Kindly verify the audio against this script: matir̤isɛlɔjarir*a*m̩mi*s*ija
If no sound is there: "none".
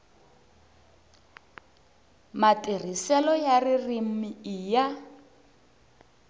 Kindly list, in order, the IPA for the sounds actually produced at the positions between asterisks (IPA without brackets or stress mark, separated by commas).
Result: i, none